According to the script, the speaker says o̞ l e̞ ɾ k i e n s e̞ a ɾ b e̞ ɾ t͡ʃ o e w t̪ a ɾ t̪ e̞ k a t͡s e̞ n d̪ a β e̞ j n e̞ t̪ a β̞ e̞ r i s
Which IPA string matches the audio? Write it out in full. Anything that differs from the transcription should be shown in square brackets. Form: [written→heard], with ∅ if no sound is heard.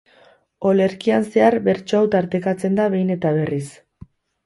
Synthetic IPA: o̞ l e̞ ɾ k i [e→a] n s e̞ a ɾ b e̞ ɾ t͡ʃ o [e→a] w t̪ a ɾ t̪ e̞ k a t͡s e̞ n d̪ a β e̞ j n e̞ t̪ a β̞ e̞ r i s

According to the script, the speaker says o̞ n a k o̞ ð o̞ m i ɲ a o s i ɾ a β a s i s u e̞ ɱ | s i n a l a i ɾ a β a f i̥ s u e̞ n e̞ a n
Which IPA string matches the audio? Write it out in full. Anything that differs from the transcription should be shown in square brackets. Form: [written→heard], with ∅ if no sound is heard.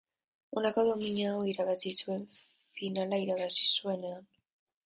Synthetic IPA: o̞ n a k o̞ ð o̞ m i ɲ a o [s→∅] i ɾ a β a s i s u e̞ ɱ | [s→f] i n a l a i ɾ a β a [f→s] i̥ s u e̞ n e̞ a n

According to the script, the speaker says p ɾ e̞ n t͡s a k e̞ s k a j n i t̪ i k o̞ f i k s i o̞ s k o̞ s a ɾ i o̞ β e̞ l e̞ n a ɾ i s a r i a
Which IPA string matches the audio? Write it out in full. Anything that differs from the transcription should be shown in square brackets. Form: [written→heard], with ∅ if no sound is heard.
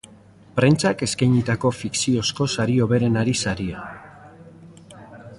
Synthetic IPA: p ɾ e̞ n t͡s a k e̞ s k a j [n→ɲ] i t̪ [i→a] k o̞ f i k s i o̞ s k o̞ s a ɾ i o̞ β e̞ [l→ɾ] e̞ n a ɾ i s a [r→ɾ] i a

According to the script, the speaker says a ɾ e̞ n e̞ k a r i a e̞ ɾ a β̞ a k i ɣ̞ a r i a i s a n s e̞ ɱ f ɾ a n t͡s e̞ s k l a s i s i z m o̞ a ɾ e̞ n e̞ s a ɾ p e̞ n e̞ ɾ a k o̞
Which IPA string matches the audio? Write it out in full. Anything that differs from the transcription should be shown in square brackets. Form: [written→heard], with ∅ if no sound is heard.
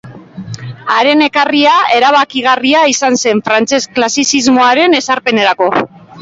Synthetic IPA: a ɾ e̞ n e̞ k a r i a e̞ ɾ a β̞ a k i ɣ̞ a r i a i s a n s e̞ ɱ f ɾ a n t͡s e̞ s k l a s i s i z m o̞ a ɾ e̞ n e̞ s a ɾ p e̞ n e̞ ɾ a k o̞

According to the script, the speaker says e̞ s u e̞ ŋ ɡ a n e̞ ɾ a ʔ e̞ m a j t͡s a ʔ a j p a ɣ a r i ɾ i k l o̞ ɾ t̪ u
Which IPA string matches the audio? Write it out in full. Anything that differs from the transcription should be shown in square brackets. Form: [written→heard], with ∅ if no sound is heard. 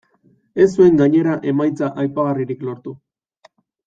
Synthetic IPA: e̞ s u e̞ ŋ ɡ a [n→ɲ] e̞ ɾ a ʔ e̞ m a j t͡s a ʔ a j p a ɣ a r i ɾ i k l o̞ ɾ t̪ u

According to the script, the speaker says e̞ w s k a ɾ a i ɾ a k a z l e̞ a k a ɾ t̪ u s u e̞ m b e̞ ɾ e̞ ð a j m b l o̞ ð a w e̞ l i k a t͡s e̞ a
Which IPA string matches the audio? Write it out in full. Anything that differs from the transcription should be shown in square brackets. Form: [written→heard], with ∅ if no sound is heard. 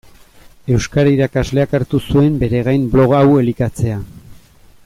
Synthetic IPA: e̞ w s k a ɾ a i ɾ a k a z l e̞ a k a ɾ t̪ u s u e̞ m b e̞ ɾ e̞ [ð→ɣ] a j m b l o̞ [ð→ɣ] a w e̞ l i k a t͡s e̞ a

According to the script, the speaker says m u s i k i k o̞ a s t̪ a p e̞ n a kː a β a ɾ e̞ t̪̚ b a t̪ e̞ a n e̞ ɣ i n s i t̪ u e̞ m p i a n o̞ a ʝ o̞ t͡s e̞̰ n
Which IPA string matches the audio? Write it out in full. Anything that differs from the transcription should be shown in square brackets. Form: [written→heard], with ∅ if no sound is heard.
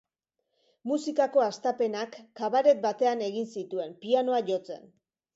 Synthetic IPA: m u s i k [i→a] k o̞ a s t̪ a p e̞ n a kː a β a ɾ e̞ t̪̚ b a t̪ e̞ a n e̞ ɣ i n s i t̪ u e̞ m p i a n o̞ a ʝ o̞ t͡s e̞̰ n

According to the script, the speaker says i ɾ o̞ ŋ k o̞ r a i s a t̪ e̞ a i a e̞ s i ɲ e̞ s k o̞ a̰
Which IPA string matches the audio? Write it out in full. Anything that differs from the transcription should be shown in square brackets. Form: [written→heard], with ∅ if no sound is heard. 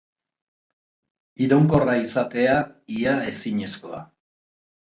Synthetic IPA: i ɾ o̞ ŋ k o̞ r a i s a t̪ e̞ a i a e̞ s i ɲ e̞ s k o̞ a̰

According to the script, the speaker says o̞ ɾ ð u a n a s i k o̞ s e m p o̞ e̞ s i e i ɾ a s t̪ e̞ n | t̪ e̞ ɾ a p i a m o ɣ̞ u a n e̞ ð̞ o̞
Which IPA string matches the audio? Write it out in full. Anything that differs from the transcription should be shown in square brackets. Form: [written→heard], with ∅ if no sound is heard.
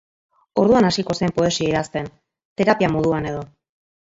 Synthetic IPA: o̞ ɾ ð u a n a s i k o̞ s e m p o̞ e̞ s i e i ɾ a s t̪ e̞ n | t̪ e̞ ɾ a p i a m o [ɣ̞→ð̞] u a n e̞ ð̞ o̞

